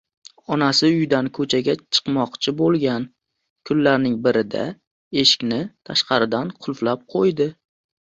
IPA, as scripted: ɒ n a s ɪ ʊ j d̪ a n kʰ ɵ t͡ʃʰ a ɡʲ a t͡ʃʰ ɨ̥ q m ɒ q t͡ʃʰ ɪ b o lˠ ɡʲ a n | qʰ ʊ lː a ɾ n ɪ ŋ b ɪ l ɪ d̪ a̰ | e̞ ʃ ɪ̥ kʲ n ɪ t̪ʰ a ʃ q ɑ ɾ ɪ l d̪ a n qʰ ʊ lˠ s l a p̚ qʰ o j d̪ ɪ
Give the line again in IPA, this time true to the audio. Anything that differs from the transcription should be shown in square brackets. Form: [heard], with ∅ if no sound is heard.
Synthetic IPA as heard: ɒ n a s ɪ ʊ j d̪ a n kʰ ɵ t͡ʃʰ a ɡʲ a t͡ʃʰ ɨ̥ q m ɒ q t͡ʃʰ ɪ b o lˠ ɡʲ a n | [kʰ] ʊ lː a ɾ n ɪ ŋ b ɪ [ɾ] ɪ d̪ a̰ | e̞ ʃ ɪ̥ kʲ n ɪ t̪ʰ a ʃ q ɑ ɾ ɪ [∅] d̪ a n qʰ ʊ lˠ [f] l a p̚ qʰ o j d̪ ɪ